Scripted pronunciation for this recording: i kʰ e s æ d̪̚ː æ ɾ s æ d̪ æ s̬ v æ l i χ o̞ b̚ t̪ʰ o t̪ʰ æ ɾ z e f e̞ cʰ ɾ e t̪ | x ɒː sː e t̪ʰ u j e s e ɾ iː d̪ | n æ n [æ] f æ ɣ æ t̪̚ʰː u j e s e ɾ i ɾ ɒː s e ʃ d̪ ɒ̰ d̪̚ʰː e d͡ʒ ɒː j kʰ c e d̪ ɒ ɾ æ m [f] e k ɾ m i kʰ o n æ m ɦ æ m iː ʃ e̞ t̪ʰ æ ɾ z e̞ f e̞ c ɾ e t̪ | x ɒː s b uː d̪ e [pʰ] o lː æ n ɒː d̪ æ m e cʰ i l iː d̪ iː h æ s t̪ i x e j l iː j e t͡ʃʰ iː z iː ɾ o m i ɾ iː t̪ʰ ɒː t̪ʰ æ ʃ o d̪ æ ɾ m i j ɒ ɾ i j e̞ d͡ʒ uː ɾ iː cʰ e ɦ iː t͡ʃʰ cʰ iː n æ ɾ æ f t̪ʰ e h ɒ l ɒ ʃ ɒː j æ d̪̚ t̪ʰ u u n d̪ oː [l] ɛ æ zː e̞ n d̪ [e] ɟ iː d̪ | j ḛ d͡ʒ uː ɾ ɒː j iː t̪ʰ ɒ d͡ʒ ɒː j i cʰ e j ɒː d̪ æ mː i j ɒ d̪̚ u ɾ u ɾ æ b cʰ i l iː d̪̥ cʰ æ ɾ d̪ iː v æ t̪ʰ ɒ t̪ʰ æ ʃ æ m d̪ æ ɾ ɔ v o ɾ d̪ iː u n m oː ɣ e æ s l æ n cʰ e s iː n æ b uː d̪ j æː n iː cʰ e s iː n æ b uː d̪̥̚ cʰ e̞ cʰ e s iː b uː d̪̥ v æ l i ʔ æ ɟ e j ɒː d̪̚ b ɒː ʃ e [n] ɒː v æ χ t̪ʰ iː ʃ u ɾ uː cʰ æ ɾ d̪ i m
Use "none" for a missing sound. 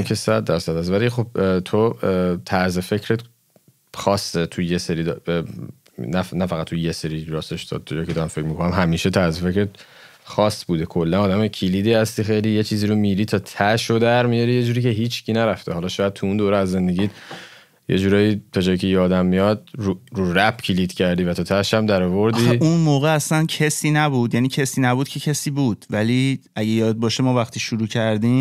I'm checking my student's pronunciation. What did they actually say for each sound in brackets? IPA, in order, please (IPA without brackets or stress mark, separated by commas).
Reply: æ, f, kʰ, ɾ, e, m